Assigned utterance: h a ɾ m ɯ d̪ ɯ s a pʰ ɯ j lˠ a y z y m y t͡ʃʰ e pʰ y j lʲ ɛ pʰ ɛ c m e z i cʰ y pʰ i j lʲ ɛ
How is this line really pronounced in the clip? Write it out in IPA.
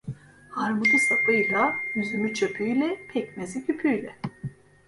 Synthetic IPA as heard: h a ɾ m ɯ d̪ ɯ s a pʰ ɯ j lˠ a y z y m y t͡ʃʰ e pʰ y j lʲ ɛ pʰ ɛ c m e z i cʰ y pʰ y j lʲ ɛ